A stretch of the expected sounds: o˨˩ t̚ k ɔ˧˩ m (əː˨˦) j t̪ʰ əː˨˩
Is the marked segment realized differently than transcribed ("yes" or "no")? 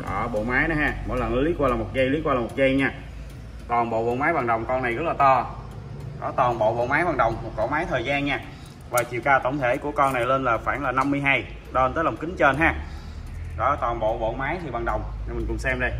yes